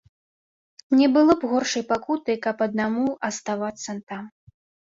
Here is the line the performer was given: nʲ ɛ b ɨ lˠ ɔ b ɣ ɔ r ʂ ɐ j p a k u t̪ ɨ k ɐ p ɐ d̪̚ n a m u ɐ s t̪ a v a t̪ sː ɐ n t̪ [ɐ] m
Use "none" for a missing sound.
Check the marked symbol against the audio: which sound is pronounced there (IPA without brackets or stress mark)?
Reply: a